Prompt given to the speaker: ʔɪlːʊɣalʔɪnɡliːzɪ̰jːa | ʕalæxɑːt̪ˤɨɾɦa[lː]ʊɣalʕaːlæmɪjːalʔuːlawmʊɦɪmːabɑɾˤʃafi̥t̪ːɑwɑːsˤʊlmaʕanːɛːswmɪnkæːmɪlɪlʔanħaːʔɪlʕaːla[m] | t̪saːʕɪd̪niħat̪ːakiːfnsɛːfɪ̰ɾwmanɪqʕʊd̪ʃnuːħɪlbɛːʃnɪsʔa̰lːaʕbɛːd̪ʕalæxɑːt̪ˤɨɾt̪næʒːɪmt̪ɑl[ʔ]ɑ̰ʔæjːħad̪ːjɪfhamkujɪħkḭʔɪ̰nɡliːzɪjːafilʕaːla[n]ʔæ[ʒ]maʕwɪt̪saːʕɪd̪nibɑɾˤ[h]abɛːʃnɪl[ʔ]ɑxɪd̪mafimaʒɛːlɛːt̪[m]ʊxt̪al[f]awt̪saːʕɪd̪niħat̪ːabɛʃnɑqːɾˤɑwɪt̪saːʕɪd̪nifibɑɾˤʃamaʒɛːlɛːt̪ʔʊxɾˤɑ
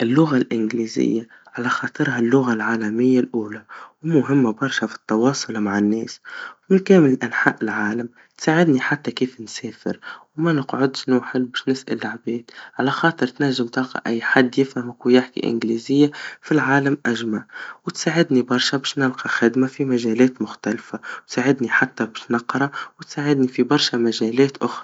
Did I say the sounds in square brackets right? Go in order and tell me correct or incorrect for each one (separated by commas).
correct, correct, incorrect, incorrect, correct, incorrect, incorrect, correct, correct